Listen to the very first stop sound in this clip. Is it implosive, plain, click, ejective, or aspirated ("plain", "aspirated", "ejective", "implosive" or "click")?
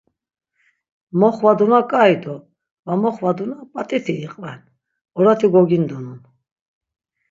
plain